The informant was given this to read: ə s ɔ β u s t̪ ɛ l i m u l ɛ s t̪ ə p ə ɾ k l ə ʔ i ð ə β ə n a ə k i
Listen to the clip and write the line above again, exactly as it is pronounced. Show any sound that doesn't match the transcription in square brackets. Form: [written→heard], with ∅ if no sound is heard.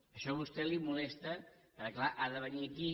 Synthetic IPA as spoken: ə [s→ʃ] ɔ β u s t̪ ɛ l i m u l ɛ s t̪ ə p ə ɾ k l [ə→a] ʔ [i→a] ð ə β ə n [a→i] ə k i